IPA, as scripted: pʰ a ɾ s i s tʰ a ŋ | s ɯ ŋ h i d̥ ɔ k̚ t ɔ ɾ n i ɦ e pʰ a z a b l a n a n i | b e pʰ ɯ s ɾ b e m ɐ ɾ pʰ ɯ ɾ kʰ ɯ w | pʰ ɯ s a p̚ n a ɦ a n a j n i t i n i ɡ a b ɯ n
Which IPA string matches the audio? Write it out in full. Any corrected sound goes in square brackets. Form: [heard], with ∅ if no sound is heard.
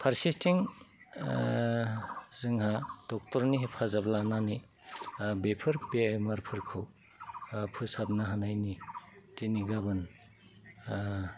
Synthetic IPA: pʰ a ɾ s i s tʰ [i] ŋ | [z] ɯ ŋ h [a] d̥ ɔ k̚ t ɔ ɾ n i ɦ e pʰ a z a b l a n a n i | b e pʰ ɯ [∅] ɾ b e m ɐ ɾ pʰ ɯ ɾ kʰ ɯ w | pʰ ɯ s a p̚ n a ɦ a n a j n i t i n i ɡ a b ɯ n